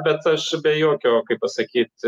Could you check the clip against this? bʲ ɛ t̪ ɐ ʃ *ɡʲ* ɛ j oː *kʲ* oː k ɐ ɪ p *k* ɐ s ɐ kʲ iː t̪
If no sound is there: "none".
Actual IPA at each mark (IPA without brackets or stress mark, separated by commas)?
bʲ, kʲ, p